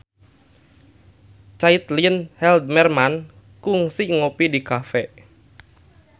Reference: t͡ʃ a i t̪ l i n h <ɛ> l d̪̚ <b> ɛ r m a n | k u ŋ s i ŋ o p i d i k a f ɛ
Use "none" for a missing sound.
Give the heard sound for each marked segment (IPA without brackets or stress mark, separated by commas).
ɛ, m